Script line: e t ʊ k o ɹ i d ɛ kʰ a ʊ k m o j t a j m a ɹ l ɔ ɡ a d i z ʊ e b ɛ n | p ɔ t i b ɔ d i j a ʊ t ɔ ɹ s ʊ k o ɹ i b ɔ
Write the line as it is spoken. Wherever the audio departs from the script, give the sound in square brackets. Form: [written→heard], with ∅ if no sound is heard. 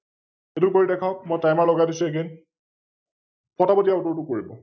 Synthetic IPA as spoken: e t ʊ k o ɹ i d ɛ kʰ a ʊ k m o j t a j m a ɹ l ɔ ɡ a d i [z→s] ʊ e [b→ɡ] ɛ n | p ɔ t [i→a] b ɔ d i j a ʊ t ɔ ɹ [s→t] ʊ k o ɹ i b ɔ

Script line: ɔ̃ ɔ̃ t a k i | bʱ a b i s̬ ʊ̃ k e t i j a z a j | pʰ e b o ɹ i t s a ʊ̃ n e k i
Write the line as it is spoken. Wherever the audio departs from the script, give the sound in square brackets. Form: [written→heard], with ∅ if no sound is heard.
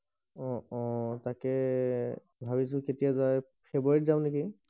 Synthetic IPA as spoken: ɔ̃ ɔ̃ t a k [i→ɛ] | bʱ a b i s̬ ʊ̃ k e t i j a z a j | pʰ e b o ɹ i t [s→z] a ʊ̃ n e k i

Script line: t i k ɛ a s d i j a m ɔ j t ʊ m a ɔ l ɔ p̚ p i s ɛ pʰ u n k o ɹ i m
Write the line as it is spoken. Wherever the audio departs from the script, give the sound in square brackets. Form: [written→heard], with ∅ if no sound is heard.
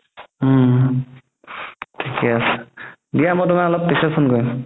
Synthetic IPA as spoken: [t→tʰ] i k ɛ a s d i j a m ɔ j t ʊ m a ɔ l ɔ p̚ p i s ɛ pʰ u n k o ɹ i m

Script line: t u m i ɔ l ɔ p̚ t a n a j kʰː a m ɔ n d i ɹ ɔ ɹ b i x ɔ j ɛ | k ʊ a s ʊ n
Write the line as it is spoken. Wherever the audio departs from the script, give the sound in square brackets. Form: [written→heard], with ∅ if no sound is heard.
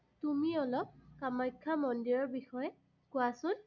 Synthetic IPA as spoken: t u m i ɔ l ɔ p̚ [t→k] a [n→m] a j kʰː a m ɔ n d i ɹ ɔ ɹ b i x ɔ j ɛ | k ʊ a s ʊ n

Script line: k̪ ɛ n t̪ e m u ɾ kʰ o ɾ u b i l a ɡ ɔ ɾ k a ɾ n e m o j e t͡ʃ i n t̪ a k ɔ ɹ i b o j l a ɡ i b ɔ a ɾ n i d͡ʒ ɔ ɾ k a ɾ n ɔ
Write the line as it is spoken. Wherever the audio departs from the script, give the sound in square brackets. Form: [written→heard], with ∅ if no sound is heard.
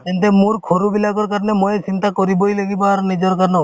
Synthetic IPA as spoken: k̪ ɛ n t̪ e m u ɾ kʰ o ɾ u b i l a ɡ ɔ ɾ k a ɾ n e m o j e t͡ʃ i n t̪ a k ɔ [ɹ→ɾ] i b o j l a ɡ i b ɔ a ɾ n i d͡ʒ ɔ ɾ k a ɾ n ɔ

